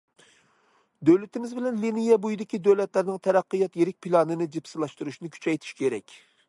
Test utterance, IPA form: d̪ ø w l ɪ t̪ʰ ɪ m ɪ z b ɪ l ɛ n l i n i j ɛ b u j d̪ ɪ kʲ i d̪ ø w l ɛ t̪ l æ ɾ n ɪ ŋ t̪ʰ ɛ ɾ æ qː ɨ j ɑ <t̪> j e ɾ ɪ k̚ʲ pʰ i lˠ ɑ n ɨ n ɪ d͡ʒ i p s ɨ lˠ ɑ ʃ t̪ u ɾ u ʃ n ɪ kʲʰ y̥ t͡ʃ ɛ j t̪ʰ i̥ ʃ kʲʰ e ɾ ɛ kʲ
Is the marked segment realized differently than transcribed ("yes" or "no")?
no